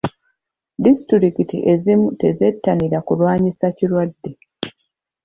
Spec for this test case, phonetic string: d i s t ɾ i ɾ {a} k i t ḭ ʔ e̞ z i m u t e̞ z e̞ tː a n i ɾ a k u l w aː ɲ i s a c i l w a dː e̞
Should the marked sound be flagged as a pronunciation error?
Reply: yes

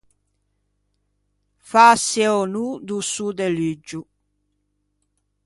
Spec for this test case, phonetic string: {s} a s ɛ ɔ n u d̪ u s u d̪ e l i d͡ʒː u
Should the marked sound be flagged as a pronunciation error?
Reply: yes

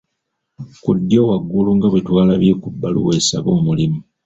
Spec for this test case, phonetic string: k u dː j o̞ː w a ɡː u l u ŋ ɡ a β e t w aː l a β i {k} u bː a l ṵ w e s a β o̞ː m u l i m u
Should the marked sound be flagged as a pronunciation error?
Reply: no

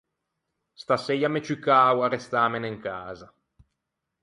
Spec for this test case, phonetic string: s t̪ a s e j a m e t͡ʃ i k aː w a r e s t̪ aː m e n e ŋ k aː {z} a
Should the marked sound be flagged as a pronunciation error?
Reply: no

